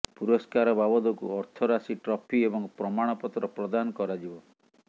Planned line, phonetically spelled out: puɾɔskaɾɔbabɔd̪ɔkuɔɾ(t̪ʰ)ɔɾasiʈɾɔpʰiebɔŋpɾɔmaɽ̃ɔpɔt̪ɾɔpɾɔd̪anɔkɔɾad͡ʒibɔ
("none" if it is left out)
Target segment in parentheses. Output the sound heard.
t̪ʰ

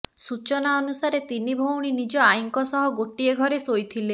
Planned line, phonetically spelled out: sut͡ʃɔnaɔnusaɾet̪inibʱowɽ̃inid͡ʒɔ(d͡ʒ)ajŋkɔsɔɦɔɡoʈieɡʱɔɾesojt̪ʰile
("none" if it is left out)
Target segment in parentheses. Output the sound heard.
none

